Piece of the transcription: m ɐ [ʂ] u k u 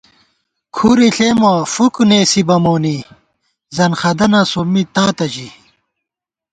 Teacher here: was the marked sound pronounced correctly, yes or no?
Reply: no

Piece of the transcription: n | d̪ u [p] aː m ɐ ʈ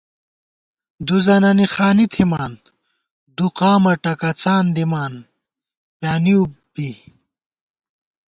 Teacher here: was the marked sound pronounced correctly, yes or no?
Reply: no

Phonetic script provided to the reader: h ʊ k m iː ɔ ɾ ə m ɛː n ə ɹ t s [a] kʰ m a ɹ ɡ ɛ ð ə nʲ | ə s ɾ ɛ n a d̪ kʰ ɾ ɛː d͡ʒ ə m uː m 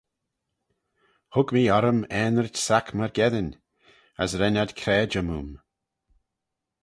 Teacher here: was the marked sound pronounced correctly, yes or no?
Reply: yes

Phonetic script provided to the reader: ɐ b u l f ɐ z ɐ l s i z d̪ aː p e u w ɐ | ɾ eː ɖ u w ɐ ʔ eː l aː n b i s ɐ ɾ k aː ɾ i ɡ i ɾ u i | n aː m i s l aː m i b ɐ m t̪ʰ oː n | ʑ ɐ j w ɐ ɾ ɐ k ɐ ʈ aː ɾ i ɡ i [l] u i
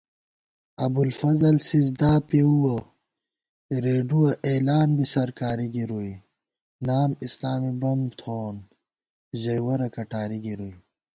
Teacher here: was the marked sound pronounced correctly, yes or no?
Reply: no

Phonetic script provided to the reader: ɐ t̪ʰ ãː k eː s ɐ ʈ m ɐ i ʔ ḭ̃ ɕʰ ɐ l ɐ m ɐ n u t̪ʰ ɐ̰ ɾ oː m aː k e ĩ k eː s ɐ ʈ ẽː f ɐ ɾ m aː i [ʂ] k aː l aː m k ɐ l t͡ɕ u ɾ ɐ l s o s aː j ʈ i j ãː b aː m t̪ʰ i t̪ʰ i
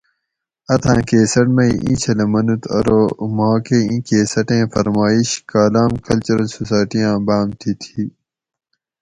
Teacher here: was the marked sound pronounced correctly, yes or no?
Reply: no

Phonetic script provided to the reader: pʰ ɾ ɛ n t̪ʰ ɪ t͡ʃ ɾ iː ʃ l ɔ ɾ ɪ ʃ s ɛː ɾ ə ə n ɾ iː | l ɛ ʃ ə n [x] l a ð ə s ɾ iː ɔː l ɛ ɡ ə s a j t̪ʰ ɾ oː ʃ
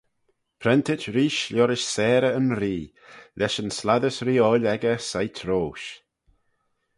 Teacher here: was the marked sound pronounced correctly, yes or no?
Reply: no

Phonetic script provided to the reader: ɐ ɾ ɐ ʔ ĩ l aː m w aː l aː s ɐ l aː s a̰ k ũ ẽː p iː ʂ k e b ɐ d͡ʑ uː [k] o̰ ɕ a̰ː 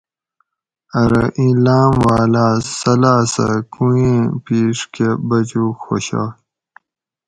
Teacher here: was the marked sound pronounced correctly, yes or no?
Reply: no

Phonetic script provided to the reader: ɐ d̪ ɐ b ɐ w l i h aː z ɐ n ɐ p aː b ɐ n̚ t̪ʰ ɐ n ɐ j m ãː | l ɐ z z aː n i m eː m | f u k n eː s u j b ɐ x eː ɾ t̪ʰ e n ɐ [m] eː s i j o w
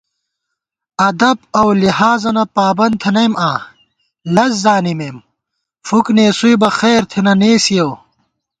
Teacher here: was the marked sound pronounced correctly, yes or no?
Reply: no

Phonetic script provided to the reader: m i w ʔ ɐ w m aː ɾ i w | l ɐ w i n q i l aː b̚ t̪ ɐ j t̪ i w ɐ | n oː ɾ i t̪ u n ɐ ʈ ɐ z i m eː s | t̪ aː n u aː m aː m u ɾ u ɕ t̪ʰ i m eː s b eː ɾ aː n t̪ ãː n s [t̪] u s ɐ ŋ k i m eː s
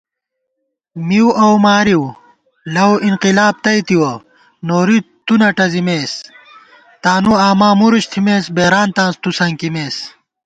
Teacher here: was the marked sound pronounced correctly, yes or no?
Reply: yes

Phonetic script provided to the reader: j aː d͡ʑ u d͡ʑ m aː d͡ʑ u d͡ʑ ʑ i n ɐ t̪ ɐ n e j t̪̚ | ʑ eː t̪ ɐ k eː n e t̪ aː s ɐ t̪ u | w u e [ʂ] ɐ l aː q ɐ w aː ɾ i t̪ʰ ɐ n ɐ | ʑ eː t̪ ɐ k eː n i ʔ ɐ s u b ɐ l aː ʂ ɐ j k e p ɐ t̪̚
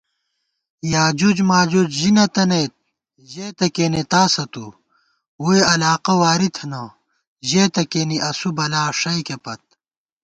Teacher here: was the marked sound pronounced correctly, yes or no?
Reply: no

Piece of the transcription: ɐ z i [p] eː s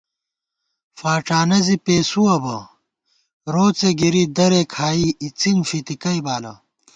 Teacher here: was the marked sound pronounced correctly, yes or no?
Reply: yes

